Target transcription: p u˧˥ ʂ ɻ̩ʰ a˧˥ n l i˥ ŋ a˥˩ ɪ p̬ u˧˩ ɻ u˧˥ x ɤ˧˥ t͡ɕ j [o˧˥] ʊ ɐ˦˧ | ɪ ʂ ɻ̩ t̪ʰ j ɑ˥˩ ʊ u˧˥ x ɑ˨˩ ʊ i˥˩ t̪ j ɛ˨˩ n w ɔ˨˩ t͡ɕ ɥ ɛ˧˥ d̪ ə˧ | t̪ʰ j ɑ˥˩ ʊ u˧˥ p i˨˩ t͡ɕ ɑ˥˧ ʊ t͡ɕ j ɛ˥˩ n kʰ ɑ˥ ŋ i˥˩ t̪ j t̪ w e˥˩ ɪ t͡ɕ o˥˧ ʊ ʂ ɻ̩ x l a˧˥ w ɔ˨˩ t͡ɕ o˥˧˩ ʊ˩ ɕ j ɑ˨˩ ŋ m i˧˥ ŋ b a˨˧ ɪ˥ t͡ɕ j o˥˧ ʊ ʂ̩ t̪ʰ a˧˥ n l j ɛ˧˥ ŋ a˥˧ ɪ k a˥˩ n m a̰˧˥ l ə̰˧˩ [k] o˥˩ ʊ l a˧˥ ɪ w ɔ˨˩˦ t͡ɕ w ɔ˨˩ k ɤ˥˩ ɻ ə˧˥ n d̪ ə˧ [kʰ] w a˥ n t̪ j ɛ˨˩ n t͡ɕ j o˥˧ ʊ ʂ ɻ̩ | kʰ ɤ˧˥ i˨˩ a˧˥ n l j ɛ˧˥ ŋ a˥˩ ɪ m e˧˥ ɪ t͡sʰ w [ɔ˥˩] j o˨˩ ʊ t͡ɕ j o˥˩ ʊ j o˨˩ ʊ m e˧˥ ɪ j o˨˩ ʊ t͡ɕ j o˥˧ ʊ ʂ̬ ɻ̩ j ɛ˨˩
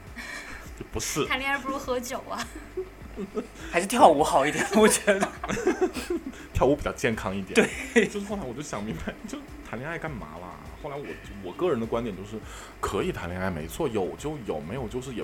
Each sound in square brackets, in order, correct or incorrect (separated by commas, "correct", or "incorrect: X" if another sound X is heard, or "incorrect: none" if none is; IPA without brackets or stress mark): incorrect: o˨˩, incorrect: x, incorrect: k, correct